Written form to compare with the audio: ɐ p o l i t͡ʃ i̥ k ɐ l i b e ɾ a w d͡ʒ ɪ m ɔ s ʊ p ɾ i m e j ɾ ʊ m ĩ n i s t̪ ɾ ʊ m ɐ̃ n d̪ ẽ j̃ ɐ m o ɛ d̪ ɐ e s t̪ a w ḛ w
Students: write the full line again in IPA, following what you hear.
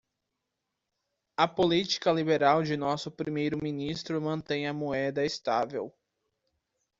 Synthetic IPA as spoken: ɐ p o l i t͡ʃ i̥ k ɐ l i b e ɾ a w d͡ʒ ɪ n ɔ s ʊ p ɾ i m e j ɾ ʊ m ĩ n i s t̪ ɾ ʊ m ɐ̃ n t̪ ẽ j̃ ɐ m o ɛ d̪ ɐ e s t̪ a v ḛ w